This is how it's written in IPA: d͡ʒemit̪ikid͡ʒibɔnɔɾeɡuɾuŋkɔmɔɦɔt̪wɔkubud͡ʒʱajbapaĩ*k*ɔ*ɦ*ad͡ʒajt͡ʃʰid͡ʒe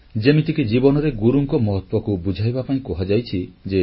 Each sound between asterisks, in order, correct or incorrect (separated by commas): correct, correct